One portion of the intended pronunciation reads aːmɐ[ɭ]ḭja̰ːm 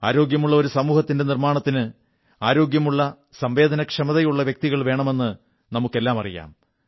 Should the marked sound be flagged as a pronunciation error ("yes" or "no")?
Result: yes